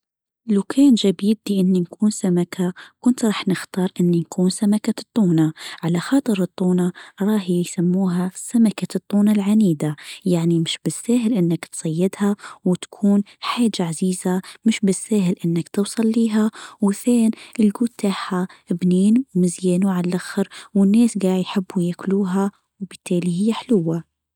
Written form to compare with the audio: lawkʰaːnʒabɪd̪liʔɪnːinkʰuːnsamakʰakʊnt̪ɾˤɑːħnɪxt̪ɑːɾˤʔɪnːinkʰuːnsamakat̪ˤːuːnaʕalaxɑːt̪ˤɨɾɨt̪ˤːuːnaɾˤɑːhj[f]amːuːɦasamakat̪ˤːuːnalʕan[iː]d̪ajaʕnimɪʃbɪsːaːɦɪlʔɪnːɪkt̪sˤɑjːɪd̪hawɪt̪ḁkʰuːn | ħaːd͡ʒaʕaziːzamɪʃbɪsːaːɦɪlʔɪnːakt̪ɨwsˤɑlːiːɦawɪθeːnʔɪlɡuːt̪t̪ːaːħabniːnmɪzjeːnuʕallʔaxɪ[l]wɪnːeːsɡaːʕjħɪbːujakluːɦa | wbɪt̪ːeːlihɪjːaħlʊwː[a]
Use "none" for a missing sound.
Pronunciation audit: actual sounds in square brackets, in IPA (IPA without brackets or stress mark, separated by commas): s, iː, ɾ, a